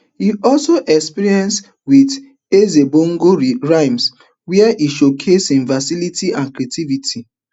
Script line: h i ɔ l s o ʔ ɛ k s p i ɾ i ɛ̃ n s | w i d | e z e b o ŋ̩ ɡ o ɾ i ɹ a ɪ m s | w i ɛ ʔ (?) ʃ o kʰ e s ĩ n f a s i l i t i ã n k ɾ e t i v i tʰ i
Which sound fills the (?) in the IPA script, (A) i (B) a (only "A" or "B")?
A